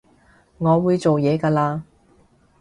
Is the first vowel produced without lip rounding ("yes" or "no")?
no